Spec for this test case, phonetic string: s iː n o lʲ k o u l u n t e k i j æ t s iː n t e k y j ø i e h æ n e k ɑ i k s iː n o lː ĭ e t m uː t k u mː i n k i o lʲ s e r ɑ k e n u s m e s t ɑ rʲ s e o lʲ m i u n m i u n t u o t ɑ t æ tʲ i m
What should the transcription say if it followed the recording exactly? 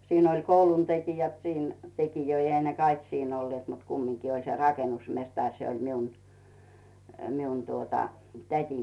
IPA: s iː n o lʲ k o u l u n t e k i j æ t s iː n t e k i j ø i e h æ n e k ɑ i k s iː n o lː ĭ e t m u t k u mː i ŋ k i o lʲ s e r ɑ k e n u s m e s t ɑ rʲ s e o lʲ m i u n m i u n t u o t ɑ t æ tʲ i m